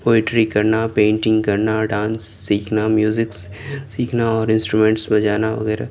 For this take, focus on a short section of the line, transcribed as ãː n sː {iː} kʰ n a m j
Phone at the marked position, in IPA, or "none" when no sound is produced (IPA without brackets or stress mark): iː